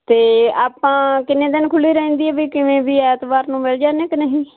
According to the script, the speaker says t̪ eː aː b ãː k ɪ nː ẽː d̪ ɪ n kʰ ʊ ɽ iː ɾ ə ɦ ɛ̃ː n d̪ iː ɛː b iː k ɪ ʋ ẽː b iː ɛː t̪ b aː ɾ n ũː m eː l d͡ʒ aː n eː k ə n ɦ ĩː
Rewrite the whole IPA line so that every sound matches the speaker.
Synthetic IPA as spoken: t̪ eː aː p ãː k ɪ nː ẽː d̪ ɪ n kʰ ʊ l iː ɾ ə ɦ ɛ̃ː n d̪ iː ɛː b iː k ɪ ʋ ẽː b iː ɛː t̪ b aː ɾ n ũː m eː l d͡ʒ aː n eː k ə n ɦ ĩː